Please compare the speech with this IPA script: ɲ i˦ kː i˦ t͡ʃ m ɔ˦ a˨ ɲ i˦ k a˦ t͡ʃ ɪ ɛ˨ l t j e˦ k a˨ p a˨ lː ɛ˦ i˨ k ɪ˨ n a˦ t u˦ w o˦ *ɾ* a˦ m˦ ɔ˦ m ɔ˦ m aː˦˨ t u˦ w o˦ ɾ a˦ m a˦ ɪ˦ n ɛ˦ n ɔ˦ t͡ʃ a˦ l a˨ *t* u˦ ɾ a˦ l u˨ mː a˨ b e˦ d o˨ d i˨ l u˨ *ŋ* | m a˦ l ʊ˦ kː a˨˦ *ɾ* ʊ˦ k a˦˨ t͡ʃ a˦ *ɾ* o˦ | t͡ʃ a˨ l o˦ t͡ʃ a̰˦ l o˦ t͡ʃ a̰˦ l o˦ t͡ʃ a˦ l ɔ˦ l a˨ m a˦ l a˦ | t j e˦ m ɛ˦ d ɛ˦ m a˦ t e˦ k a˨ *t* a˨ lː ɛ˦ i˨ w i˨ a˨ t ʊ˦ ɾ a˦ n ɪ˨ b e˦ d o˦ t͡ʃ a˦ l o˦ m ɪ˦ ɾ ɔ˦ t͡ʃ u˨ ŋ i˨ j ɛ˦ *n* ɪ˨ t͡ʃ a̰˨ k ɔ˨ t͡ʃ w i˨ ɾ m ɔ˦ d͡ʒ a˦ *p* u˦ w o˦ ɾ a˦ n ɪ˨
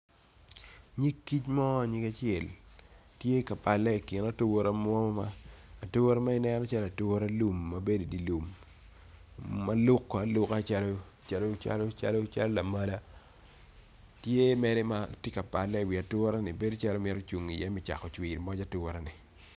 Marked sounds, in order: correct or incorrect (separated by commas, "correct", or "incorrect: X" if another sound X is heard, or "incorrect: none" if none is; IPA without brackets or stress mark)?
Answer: correct, correct, incorrect: m, incorrect: l, incorrect: l, incorrect: p, incorrect: m, incorrect: t